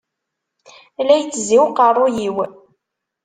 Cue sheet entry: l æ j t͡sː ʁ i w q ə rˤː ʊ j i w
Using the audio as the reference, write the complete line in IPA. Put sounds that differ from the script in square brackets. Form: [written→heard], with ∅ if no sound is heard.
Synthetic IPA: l æ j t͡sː [ʁ→z] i w q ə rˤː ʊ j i w